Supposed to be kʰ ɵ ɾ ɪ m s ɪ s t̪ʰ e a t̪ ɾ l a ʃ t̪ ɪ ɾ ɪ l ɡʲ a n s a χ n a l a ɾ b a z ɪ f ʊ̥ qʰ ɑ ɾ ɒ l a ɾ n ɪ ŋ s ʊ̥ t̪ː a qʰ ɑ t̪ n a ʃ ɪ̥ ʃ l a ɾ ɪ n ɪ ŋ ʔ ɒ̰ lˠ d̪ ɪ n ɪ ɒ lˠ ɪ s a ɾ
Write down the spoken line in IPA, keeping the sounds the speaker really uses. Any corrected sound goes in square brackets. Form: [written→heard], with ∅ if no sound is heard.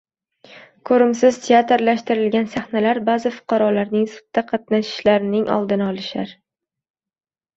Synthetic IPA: kʰ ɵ ɾ ɪ m s ɪ [s→z] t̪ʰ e a t̪ ɾ l a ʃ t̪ ɪ ɾ ɪ l ɡʲ a n s a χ n a l a ɾ b a z ɪ f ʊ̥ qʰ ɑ ɾ ɒ l a ɾ n ɪ ŋ s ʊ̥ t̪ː a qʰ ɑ t̪ n a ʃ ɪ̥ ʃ l a ɾ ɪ n ɪ ŋ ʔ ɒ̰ lˠ d̪ ɪ n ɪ ɒ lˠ ɪ [s→ʃ] a ɾ